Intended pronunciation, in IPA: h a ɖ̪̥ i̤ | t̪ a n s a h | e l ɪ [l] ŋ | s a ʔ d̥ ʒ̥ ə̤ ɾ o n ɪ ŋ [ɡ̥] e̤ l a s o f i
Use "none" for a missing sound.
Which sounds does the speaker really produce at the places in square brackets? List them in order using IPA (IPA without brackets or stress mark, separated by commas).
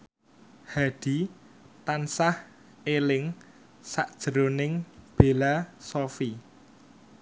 none, b̥